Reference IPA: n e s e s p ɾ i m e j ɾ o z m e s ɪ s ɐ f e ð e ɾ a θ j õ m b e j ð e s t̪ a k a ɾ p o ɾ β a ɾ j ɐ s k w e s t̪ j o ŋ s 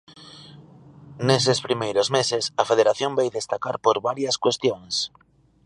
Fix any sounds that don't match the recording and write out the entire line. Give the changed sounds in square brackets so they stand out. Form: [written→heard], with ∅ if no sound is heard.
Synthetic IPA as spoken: n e s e s p ɾ i m e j ɾ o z m e s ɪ s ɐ f e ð e ɾ a θ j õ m b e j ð e s t̪ a k a ɾ p o ɾ β a ɾ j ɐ s k w e s t̪ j o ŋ s